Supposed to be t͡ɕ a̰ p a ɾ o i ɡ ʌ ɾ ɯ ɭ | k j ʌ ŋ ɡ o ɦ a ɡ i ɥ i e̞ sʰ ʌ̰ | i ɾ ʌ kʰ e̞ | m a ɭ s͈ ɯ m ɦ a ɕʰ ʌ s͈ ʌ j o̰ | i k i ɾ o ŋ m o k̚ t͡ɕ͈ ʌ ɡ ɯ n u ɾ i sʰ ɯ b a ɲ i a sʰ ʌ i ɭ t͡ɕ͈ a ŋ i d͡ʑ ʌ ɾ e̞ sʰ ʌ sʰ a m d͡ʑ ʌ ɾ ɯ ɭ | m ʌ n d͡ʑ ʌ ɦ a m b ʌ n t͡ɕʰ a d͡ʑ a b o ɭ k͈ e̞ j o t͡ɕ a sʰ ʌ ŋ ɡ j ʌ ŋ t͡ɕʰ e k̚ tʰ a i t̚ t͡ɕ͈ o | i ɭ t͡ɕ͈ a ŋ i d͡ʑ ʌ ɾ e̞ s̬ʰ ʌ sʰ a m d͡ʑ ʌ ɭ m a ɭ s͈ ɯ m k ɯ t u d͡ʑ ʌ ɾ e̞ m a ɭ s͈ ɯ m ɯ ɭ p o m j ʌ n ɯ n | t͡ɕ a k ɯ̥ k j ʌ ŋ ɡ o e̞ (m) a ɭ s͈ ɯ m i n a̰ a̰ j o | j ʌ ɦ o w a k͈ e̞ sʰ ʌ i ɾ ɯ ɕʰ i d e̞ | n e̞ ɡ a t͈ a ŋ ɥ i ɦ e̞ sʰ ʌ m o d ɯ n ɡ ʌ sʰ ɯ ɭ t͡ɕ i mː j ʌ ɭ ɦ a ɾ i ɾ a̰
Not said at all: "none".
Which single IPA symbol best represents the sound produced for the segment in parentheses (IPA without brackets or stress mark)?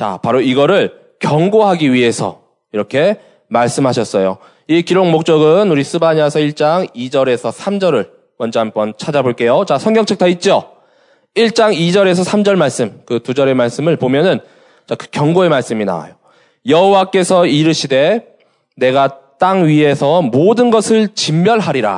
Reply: m